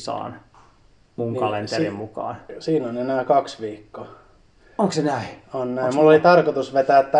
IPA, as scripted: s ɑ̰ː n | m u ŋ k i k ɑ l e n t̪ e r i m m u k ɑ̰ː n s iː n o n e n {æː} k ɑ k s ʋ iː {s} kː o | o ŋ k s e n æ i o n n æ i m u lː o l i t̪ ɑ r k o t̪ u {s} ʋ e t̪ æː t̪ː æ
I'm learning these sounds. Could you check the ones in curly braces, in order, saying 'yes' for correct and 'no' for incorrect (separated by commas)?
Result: yes, no, yes